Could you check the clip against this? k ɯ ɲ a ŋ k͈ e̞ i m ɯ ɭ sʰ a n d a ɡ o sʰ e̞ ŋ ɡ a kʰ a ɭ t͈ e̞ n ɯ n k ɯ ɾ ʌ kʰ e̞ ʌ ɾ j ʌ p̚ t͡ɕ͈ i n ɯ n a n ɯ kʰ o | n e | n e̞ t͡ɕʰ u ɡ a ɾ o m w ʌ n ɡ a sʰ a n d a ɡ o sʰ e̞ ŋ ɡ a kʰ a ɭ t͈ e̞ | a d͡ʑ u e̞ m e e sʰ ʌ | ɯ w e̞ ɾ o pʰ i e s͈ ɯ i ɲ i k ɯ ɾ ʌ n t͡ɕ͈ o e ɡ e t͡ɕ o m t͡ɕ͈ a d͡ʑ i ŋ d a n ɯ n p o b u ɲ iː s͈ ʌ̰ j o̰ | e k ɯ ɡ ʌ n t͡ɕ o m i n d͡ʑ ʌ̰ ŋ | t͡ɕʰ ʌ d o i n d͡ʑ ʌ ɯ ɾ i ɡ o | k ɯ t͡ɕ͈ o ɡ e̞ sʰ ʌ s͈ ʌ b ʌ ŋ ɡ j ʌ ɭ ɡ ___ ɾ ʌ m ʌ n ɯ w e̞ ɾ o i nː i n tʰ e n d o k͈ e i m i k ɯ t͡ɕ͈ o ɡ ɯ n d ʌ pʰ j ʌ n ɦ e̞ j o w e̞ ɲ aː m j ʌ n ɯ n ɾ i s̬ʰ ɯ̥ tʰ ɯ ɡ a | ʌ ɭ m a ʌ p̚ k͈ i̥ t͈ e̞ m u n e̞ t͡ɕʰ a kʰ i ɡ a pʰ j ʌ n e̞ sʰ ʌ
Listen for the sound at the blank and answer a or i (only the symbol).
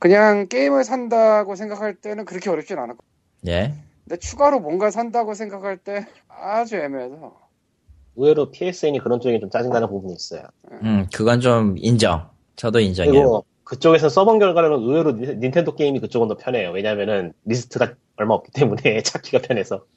a